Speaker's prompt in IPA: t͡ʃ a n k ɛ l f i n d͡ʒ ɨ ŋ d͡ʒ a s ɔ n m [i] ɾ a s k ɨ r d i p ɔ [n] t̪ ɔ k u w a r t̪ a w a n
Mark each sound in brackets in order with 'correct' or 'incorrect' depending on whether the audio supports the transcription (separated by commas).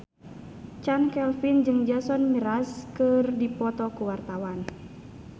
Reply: correct, incorrect